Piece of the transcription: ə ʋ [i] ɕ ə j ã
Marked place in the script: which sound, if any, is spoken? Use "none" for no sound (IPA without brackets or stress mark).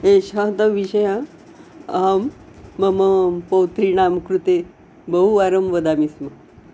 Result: i